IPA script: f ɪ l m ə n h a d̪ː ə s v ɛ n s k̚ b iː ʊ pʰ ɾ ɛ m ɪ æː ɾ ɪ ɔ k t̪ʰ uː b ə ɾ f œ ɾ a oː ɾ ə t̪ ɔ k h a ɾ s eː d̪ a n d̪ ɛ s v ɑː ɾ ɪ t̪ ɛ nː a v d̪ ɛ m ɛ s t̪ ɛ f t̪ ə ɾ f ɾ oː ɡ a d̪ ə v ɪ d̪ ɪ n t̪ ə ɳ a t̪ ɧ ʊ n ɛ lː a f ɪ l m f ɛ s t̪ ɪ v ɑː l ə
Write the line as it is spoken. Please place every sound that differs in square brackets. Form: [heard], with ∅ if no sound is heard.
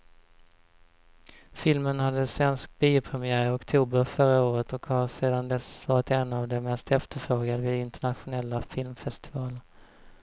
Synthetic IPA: f ɪ l m ə n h a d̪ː ə s v ɛ n s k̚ b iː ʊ pʰ ɾ ɛ m ɪ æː ɾ ɪ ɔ k t̪ʰ uː b ə ɾ f œ ɾ a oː ɾ ə t̪ ɔ k h a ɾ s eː d̪ a n d̪ ɛ s v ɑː ɾ ɪ t̪ ɛ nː a v d̪ ɛ m ɛ s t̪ ɛ f t̪ ə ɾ f ɾ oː ɡ a d̪ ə v ɪ d̪ ɪ n t̪ ə ɳ a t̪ ɧ ʊ n ɛ lː a f ɪ l m f ɛ s t̪ ɪ v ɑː l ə